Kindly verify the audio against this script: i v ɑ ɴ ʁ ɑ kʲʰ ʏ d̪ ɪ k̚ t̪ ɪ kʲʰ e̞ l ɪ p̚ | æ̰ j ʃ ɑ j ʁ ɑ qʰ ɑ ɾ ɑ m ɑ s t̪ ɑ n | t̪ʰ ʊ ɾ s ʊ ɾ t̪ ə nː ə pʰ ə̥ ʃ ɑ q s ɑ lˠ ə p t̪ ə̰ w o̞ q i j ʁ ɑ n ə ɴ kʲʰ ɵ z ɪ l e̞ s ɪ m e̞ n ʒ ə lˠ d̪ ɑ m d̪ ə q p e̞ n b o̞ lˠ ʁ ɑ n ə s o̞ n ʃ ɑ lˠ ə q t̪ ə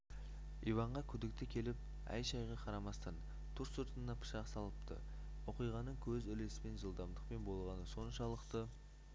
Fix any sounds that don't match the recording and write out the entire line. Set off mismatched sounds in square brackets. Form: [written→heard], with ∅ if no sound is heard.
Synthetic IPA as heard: i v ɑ ɴ ʁ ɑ kʲʰ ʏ d̪ ɪ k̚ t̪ ɪ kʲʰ e̞ l ɪ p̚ | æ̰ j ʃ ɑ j ʁ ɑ qʰ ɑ ɾ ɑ m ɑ s t̪ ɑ n | t̪ʰ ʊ ɾ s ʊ ɾ t̪ ə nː [ə→ɑ] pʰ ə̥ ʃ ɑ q s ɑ lˠ ə p t̪ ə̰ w o̞ q i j ʁ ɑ n ə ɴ kʲʰ ɵ z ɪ l e̞ s ɪ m e̞ n ʒ ə lˠ d̪ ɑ m d̪ ə q p e̞ n b o̞ lˠ ʁ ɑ n ə s o̞ n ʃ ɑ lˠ ə q t̪ ə